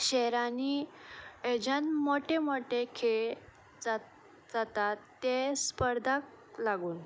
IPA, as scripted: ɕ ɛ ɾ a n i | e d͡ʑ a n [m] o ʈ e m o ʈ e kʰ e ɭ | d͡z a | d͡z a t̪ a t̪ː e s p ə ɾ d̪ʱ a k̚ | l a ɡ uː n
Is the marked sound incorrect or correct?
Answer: correct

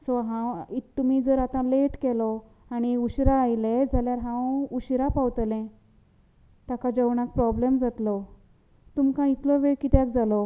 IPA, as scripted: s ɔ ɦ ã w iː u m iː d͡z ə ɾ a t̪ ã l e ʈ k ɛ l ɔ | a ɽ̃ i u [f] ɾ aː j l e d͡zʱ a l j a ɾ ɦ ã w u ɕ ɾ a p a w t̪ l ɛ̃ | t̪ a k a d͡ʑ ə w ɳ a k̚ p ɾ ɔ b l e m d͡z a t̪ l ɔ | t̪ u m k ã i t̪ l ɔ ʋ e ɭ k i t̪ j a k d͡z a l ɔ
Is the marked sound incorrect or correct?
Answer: incorrect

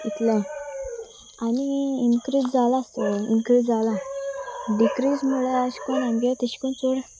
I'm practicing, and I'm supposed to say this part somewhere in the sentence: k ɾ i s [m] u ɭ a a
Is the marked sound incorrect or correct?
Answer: correct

